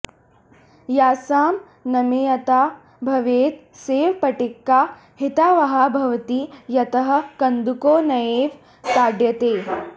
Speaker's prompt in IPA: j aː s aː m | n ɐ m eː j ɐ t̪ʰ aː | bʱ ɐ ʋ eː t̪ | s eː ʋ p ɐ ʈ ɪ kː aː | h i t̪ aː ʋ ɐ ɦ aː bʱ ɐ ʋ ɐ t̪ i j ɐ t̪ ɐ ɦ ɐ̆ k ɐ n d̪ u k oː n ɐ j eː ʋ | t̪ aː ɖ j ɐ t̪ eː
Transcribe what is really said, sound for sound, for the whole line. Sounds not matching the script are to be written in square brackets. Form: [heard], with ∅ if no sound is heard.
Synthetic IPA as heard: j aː s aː m | n ɐ m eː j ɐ [t̪] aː | bʱ ɐ ʋ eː t̪ | s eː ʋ p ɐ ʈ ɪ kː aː | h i t̪ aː ʋ ɐ ɦ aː bʱ ɐ ʋ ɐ t̪ i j ɐ t̪ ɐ ɦ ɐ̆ k ɐ n d̪ u k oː n ɐ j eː ʋ | t̪ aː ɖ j ɐ t̪ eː